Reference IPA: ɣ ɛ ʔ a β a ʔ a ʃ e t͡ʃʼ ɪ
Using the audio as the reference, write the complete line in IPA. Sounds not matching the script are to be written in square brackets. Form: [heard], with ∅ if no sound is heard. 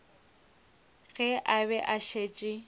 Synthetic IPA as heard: ɣ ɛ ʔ a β [ɛ] ʔ a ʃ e t͡ʃʼ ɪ